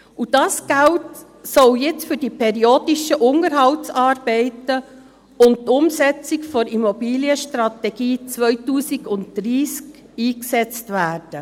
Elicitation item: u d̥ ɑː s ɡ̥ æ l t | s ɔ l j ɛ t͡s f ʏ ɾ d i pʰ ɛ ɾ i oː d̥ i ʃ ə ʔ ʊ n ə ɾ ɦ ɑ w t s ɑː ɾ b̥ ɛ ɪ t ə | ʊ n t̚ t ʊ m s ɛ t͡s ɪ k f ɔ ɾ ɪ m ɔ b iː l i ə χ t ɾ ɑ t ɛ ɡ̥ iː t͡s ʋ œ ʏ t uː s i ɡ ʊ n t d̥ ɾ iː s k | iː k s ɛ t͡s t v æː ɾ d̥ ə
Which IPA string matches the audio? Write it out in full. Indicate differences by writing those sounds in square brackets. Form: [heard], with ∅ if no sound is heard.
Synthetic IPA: u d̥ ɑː s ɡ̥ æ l t | s ɔ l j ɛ t͡s f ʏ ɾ d i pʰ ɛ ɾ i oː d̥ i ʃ ə ʔ ʊ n ə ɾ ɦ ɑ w t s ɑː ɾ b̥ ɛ ɪ t ə | ʊ n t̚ t ʊ m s ɛ t͡s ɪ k f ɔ ɾ [i] m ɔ b iː l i ə [ʃ] t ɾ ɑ t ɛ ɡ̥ iː t͡s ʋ œ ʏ t uː s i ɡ ʊ n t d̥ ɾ iː s k | iː k s ɛ t͡s t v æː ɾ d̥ ə